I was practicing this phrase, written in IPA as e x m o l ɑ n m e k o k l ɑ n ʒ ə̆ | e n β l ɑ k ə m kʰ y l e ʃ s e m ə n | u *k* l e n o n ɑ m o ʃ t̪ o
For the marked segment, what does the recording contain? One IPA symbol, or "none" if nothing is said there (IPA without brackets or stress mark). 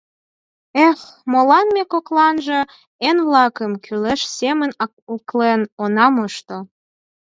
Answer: k